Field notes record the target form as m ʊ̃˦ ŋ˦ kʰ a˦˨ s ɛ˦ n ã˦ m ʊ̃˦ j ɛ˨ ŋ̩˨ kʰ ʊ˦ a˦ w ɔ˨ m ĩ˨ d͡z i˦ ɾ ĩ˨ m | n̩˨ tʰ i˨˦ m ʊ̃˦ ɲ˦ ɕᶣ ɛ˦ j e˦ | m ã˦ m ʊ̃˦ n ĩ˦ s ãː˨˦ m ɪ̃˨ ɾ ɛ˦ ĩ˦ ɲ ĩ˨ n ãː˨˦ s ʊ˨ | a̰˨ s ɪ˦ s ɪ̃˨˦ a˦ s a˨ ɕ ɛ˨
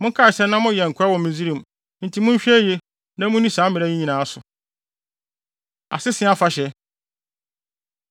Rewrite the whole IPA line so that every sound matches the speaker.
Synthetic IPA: m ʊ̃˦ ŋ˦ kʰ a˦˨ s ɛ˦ n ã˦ m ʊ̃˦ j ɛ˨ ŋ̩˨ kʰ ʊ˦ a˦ w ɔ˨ m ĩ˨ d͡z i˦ ɾ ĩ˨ m | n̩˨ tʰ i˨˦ m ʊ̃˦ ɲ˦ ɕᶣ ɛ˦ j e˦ | n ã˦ m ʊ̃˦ n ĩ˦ s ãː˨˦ m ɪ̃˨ ɾ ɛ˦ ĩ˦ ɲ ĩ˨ n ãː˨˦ s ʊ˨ | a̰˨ s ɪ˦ s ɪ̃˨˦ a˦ f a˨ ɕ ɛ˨